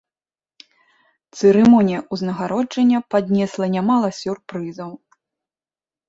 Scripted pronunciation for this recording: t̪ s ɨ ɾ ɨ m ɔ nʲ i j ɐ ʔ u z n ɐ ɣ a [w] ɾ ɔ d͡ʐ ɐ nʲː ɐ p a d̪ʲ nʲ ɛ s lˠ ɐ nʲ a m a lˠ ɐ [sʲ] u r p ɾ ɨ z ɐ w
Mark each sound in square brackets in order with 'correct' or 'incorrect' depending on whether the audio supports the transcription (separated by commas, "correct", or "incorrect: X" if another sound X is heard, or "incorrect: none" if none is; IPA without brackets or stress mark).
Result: incorrect: none, correct